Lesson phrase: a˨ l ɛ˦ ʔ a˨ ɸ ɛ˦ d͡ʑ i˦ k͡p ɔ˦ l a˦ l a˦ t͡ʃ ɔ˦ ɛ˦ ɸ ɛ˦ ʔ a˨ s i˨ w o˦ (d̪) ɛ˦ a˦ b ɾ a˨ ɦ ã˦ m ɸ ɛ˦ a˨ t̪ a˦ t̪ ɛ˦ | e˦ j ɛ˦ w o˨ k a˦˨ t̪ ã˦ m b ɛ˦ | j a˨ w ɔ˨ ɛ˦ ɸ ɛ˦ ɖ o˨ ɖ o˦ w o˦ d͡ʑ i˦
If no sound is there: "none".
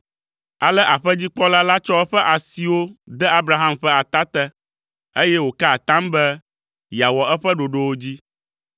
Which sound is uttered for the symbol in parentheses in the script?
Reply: d̪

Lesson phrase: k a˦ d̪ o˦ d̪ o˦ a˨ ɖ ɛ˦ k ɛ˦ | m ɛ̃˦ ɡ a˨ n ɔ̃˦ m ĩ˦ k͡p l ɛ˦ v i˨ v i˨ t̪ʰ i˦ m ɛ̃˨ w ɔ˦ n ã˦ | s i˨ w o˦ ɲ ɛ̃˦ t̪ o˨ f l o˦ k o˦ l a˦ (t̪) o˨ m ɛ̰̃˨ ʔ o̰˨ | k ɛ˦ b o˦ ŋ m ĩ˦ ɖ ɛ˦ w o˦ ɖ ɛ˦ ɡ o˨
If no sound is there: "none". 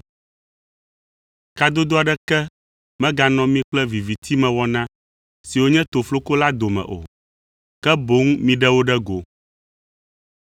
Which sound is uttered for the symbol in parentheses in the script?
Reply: d̪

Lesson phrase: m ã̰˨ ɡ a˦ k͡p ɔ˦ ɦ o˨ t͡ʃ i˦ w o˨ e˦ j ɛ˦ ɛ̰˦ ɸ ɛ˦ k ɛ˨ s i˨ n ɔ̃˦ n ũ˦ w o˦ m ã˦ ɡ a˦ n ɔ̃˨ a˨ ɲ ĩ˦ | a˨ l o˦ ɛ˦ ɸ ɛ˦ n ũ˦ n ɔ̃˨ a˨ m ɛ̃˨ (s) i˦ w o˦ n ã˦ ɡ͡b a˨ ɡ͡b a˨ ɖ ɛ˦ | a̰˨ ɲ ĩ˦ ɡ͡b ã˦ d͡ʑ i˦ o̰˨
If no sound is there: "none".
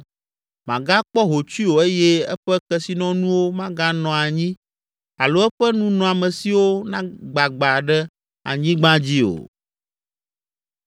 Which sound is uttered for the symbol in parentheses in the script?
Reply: s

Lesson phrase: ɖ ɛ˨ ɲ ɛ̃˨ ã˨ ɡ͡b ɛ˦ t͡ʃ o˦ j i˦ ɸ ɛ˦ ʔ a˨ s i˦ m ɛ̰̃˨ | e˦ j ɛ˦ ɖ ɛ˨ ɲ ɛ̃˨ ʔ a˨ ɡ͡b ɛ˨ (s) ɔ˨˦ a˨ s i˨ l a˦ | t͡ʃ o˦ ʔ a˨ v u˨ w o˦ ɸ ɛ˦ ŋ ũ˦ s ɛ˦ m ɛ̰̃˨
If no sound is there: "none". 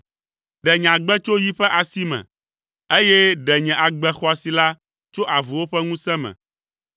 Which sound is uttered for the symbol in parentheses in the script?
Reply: x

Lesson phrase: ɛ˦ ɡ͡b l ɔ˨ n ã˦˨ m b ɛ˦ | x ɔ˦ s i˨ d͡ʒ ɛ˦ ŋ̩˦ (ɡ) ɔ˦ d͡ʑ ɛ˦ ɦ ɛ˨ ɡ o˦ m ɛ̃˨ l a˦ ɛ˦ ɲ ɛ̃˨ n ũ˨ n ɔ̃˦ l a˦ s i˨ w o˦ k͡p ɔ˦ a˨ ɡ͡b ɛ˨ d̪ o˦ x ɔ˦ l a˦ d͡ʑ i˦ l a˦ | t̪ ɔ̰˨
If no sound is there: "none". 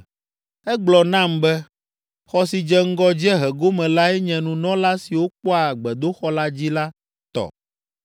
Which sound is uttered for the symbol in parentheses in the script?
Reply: ɡ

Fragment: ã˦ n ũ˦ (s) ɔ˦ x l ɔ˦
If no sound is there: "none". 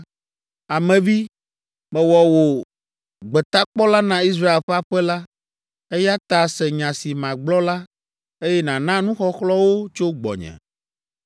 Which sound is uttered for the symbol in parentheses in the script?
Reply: x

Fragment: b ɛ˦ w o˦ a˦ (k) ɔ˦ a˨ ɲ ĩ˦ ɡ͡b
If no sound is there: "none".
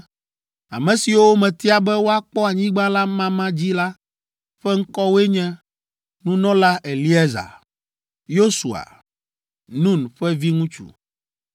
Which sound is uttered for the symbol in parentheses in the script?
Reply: k͡p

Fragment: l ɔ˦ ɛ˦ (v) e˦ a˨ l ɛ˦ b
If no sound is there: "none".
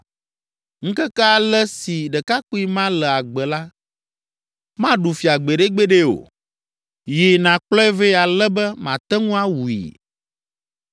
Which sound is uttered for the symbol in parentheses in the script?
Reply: v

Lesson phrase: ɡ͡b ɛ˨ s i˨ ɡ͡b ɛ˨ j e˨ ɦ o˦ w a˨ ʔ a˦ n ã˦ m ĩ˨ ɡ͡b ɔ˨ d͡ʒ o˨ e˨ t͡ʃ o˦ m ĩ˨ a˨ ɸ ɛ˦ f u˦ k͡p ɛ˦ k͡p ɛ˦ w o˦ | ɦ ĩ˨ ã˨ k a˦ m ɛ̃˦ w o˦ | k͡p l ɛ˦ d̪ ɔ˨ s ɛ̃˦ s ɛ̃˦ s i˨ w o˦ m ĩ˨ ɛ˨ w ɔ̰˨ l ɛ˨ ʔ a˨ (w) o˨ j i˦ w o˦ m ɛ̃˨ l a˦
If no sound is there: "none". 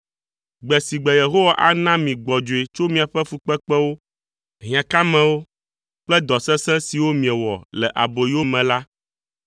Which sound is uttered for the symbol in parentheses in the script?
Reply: b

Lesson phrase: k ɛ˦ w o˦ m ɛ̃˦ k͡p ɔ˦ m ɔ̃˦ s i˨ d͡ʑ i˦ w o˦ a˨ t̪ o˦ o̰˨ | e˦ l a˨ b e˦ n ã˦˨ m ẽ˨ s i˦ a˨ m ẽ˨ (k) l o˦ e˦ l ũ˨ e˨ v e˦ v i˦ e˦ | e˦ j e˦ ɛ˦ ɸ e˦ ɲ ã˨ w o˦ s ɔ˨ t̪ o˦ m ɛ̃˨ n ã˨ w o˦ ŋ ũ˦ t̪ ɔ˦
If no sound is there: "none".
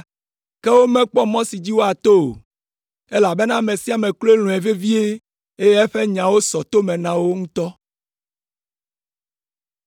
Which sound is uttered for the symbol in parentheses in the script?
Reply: k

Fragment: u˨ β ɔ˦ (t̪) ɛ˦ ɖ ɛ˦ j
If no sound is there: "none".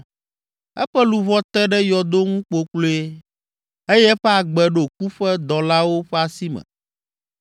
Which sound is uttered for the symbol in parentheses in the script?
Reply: t̪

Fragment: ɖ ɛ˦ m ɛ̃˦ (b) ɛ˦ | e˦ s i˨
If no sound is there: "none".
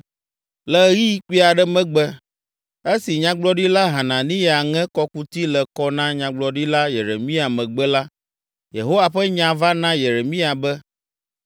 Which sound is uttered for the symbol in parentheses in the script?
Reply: ɡ͡b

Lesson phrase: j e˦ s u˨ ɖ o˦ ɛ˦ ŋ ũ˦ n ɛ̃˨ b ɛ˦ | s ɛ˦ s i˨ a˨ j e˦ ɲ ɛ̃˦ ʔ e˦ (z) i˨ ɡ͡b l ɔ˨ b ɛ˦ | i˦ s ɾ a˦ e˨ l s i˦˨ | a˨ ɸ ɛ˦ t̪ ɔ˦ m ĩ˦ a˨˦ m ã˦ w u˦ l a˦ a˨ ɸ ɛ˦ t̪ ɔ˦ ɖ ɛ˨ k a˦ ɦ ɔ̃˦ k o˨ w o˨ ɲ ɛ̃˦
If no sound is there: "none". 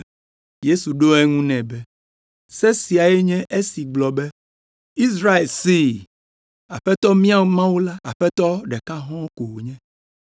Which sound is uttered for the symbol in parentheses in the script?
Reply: s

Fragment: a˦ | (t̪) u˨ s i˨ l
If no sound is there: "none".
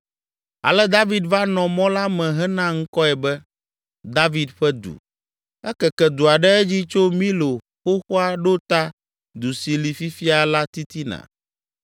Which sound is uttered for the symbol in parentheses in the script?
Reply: d̪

